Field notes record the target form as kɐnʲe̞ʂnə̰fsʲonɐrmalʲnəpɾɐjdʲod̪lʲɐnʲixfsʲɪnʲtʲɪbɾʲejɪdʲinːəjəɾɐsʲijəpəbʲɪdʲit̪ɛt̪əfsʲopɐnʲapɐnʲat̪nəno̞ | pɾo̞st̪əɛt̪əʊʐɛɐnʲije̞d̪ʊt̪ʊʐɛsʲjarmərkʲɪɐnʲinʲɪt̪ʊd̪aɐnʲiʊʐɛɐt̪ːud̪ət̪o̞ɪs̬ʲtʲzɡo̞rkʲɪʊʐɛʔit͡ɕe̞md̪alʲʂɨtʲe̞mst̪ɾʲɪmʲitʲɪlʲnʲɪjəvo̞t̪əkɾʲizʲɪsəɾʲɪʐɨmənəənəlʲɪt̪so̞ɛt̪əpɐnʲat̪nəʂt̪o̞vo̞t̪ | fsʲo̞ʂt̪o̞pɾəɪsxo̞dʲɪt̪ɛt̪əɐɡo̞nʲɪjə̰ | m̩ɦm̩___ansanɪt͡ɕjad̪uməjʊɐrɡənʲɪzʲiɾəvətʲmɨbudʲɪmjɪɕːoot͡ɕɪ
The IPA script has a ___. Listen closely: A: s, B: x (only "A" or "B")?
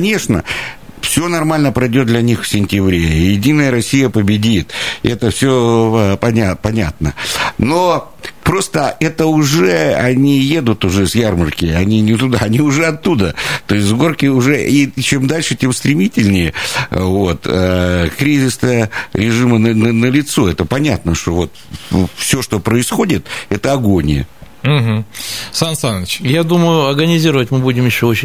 A